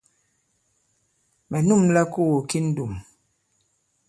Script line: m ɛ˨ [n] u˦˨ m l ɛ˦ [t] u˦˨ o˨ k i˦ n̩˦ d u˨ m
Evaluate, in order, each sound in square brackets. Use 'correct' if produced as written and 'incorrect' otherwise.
correct, incorrect: k

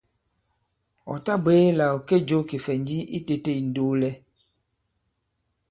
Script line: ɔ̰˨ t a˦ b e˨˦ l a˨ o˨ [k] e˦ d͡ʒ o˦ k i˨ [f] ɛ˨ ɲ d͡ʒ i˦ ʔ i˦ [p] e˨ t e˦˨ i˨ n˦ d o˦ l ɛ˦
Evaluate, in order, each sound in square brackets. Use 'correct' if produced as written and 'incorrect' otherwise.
correct, correct, incorrect: t

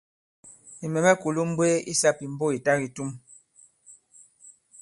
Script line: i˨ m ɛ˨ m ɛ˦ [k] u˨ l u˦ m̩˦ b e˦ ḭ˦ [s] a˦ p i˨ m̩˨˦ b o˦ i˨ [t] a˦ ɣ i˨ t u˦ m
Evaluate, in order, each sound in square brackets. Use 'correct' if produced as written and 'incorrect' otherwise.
correct, correct, correct

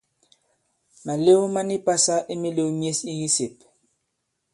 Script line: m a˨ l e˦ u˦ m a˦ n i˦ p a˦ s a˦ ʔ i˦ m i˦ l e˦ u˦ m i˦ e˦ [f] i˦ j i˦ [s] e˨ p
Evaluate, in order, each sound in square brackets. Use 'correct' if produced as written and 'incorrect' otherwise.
incorrect: s, correct

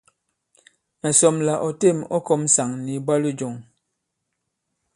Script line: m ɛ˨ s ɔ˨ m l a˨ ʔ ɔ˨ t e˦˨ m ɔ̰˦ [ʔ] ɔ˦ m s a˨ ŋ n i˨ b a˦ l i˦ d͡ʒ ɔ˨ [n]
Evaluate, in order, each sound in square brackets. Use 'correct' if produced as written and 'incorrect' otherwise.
incorrect: k, incorrect: ŋ

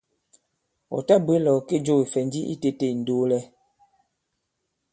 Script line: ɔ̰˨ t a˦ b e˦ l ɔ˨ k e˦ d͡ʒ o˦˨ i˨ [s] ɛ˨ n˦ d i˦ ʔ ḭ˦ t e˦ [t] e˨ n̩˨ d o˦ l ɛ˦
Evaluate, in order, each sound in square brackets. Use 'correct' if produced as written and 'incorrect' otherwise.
incorrect: f, correct

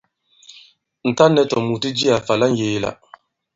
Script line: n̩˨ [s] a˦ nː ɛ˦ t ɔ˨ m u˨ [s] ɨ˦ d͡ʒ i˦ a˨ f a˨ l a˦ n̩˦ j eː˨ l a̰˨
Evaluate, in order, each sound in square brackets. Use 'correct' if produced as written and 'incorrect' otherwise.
incorrect: t, incorrect: t

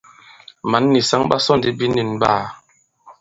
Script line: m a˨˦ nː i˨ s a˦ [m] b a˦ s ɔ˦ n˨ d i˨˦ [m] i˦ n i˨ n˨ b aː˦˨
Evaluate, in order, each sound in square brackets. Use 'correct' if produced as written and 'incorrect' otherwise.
incorrect: ŋ, incorrect: b

